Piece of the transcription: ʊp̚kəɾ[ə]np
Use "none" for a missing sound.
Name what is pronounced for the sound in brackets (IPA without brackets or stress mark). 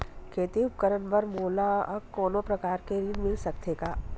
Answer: ə